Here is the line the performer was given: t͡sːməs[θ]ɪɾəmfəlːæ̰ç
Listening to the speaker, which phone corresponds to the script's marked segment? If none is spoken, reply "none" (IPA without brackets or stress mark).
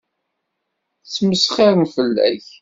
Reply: χ